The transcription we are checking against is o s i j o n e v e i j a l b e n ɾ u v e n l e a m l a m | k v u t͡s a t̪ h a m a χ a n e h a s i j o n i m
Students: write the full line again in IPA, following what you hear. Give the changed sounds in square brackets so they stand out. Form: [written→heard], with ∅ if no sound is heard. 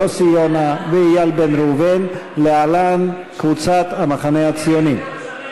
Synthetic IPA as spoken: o s i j o n [e→a] v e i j a l b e n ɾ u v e n l e a [m→∅] l a [m→n] | k v u t͡s a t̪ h a m a χ a n e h a [s→t͡s] i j o n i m